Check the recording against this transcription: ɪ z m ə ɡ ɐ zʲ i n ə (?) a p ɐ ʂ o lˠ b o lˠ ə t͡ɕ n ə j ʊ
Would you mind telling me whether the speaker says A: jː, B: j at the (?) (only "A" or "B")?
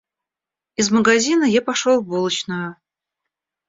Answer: B